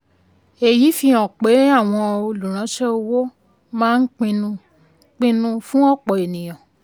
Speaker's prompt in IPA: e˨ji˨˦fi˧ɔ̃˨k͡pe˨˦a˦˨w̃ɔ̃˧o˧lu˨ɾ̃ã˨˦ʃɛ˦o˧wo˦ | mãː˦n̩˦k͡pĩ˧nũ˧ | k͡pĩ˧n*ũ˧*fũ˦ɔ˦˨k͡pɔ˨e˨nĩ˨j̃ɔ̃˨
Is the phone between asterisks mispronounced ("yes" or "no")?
no